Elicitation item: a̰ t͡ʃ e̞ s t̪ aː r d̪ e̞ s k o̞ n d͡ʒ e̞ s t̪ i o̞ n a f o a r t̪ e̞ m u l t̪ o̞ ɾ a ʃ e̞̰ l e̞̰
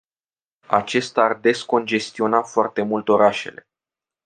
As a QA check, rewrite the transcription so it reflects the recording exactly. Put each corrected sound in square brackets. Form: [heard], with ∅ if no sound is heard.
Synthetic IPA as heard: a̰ t͡ʃ e̞ s t̪ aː r d̪ e̞ s k o̞ n d͡ʒ e̞ s t̪ i o̞ n a f o a r t̪ e̞ m u l t̪ o̞ ɾ a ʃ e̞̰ l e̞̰